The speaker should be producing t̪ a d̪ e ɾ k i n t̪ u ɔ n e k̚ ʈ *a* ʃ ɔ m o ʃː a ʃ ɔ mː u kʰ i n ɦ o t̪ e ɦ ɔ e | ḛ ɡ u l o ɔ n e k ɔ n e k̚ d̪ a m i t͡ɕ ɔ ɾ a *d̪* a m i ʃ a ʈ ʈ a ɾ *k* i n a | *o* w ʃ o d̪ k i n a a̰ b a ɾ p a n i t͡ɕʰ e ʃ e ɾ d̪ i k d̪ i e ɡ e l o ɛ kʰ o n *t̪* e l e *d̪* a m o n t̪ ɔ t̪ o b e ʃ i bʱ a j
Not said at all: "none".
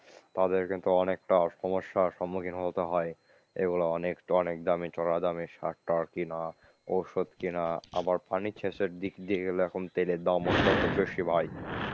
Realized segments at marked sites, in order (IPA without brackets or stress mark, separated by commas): a, d̪, k, o, t̪, d̪